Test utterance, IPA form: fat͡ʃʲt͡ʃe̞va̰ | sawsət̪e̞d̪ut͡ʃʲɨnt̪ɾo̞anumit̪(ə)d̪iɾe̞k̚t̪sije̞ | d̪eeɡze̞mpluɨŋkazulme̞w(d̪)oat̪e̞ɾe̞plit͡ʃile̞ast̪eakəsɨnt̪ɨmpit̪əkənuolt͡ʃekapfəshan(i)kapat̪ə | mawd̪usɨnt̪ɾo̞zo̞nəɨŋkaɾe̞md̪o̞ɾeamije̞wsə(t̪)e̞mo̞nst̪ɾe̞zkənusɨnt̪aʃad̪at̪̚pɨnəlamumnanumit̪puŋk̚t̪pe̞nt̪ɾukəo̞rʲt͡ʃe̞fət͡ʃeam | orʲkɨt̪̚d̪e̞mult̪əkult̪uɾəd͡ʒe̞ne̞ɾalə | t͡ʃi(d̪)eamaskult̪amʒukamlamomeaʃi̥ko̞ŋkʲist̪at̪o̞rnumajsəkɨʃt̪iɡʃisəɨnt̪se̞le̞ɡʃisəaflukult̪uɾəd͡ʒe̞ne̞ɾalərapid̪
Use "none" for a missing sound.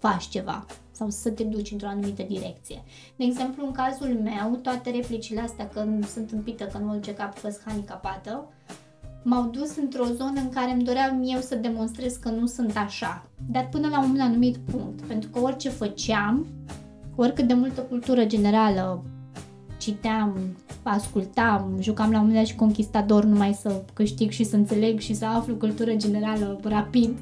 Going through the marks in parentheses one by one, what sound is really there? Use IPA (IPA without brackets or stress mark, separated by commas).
ə, t̪, i, d̪, t̪